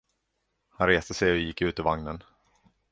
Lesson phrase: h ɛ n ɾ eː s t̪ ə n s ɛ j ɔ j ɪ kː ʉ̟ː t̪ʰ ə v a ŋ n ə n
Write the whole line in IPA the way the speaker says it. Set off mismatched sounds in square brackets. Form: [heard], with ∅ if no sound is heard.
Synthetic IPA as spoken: h [a] n ɾ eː s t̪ ə [∅] s ɛ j ɔ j ɪ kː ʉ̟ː [t̪] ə v a ŋ n ə n